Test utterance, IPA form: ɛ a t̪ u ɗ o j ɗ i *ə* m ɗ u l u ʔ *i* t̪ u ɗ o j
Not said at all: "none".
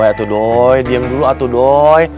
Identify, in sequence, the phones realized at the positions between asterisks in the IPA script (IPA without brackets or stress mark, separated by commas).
ə, a